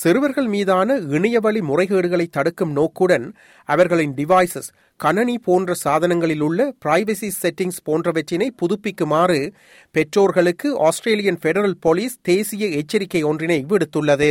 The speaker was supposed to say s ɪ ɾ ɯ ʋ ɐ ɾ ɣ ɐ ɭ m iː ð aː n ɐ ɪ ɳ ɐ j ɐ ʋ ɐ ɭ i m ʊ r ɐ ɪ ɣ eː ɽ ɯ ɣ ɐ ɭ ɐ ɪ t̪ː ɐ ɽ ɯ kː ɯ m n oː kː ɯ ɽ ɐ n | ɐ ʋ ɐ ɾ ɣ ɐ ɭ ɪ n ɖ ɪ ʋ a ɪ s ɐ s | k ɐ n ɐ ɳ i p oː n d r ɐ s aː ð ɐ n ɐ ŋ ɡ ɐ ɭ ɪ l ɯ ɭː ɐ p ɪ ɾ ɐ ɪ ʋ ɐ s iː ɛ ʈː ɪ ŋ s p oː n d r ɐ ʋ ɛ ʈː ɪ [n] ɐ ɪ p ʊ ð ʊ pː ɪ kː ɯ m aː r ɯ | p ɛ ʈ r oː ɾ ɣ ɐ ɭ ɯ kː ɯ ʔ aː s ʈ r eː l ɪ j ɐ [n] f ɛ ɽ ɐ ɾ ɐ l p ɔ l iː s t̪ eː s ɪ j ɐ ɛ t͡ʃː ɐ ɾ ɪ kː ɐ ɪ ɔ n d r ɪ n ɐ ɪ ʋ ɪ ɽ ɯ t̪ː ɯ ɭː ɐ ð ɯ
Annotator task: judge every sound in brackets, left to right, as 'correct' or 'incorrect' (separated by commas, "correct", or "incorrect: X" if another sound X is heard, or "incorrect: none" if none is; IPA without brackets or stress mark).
correct, correct